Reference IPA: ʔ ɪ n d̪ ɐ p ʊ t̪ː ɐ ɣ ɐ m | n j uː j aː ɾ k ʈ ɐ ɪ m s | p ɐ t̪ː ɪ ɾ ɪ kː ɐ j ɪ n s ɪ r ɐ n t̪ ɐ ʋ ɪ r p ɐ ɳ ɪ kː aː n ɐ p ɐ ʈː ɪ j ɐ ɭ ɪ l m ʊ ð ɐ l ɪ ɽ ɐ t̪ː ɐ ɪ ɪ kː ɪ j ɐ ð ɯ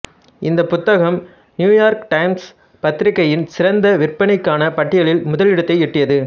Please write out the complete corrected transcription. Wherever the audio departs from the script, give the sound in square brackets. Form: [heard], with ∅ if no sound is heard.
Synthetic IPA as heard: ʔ ɪ n d̪ ɐ p ʊ t̪ː ɐ ɣ ɐ m | n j uː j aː ɾ k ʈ ɐ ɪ m s | p ɐ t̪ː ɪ ɾ ɪ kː ɐ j ɪ n s ɪ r ɐ n [d̪] ɐ ʋ ɪ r p ɐ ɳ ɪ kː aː n ɐ p ɐ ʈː ɪ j ɐ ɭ ɪ l m ʊ ð ɐ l ɪ ɽ ɐ t̪ː ɐ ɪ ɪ [ʈː] ɪ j ɐ ð ɯ